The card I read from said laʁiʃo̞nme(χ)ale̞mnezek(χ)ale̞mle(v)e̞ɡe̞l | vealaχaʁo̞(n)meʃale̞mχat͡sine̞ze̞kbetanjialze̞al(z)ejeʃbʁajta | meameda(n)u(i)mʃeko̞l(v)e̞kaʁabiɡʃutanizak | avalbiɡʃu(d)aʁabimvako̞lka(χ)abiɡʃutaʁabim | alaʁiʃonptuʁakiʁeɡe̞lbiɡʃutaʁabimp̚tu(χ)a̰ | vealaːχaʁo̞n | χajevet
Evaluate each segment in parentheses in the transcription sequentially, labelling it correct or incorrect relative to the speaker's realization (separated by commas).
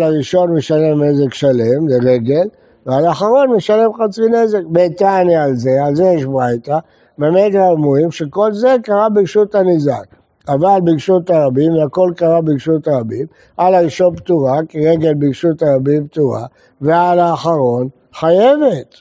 incorrect, incorrect, incorrect, correct, correct, incorrect, correct, incorrect, incorrect, incorrect, incorrect